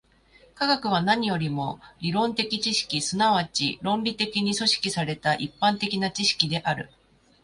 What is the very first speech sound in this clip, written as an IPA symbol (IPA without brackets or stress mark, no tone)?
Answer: k